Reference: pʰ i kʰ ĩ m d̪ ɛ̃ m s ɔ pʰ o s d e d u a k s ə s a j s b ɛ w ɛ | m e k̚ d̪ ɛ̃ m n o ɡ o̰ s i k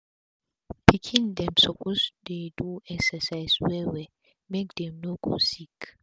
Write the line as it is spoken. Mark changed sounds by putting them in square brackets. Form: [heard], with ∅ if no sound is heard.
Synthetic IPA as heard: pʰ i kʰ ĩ [n] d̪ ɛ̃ m s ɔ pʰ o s d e d u [ɛ] k s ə s a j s [w] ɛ w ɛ | m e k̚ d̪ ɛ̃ m n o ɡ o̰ s i k